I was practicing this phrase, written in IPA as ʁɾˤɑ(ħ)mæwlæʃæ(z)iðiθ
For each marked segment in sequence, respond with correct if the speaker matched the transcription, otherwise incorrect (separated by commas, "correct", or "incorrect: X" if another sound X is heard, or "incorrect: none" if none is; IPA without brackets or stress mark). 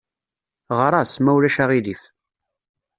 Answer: incorrect: s, incorrect: ʁ